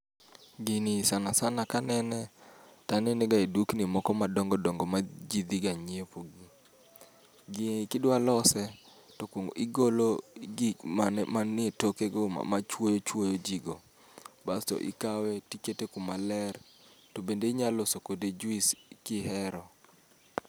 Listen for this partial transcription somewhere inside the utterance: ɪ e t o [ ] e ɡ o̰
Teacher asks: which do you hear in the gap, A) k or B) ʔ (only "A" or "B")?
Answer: A